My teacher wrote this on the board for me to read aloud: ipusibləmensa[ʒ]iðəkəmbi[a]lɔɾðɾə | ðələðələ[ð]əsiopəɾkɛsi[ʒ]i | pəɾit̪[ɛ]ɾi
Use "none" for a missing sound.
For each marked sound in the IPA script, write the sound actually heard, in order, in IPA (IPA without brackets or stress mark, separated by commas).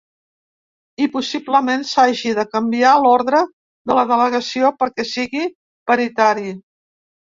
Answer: ʒ, a, ɣ, ɣ, a